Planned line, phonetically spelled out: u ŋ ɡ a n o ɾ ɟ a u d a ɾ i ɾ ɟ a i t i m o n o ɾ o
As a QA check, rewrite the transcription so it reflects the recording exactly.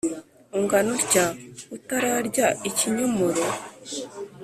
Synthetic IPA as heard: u ŋ ɡ a n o ɾ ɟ a u t a ɾ a ɾ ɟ a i c i ɲ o m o ɾ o

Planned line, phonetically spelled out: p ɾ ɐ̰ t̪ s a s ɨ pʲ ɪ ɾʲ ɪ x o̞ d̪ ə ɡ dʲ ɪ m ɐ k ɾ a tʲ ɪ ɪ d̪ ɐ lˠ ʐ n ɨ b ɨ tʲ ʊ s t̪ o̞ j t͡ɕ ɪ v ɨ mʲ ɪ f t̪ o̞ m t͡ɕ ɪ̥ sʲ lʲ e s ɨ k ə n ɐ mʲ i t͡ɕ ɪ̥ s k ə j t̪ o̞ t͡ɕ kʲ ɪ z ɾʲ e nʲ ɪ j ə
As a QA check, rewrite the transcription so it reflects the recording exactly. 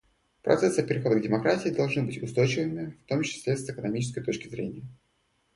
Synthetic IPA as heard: p ɾ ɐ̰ t̪ s ɛ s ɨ pʲ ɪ ɾʲ ɪ x o̞ d̪ ə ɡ dʲ ɪ m ɐ k ɾ a tʲ ɪ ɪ d̪ ɐ lˠ ʐ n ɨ b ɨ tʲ ʊ s t̪ o̞ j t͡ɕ ɪ v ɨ mʲ ɪ f t̪ o̞ m t͡ɕ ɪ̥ sʲ lʲ e s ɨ k ə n ɐ mʲ i t͡ɕ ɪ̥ s k ə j t̪ o̞ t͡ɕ kʲ ɪ z ɾʲ e nʲ ɪ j ə

